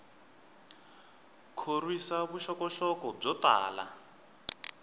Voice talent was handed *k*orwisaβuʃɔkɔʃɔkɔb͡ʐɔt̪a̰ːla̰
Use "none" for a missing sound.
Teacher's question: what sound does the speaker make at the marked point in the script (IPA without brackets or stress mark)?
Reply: kʰ